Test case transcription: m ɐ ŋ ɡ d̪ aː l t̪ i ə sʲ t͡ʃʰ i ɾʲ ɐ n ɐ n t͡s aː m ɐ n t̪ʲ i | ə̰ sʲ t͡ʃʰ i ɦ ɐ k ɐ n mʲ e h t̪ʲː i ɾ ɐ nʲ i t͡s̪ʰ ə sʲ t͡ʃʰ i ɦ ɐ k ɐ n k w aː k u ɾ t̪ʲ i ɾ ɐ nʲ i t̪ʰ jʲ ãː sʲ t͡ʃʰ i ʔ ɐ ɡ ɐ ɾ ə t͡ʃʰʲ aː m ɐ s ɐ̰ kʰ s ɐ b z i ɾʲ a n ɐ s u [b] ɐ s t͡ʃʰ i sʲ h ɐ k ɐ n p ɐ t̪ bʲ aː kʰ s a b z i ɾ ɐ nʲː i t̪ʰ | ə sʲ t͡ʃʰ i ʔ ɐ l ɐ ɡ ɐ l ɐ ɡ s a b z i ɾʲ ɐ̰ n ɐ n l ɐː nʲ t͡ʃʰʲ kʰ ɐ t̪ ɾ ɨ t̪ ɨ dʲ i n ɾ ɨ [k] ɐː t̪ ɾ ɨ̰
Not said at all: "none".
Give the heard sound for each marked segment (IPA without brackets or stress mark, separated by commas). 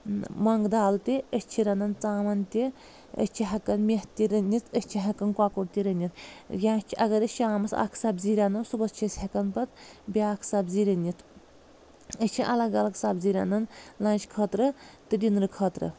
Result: b, kʰ